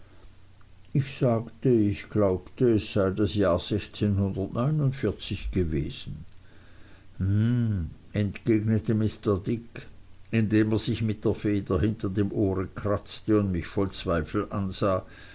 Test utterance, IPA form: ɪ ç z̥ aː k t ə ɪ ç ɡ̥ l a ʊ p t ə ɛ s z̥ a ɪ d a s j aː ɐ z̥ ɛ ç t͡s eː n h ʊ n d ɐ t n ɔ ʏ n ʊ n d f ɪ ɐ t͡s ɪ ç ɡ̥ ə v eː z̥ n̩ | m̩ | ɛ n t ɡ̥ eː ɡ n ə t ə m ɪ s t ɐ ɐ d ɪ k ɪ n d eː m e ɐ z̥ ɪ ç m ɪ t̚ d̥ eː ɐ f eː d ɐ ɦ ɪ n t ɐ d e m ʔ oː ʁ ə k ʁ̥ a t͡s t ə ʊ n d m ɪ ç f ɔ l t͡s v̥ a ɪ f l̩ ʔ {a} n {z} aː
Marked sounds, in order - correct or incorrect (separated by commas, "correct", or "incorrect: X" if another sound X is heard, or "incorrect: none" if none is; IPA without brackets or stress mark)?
correct, correct